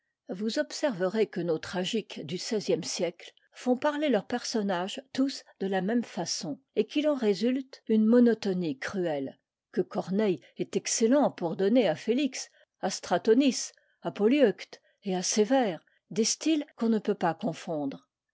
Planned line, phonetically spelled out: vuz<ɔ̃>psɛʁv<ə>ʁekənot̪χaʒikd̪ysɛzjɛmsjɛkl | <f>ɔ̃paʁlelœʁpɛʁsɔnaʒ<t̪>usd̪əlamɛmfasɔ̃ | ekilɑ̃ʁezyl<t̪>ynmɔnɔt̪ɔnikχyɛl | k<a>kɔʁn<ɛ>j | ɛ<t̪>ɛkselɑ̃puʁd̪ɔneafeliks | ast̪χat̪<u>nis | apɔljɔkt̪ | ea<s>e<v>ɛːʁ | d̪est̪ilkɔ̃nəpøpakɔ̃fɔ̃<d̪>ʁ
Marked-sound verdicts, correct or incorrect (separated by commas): incorrect, correct, correct, correct, correct, incorrect, correct, correct, incorrect, correct, correct, correct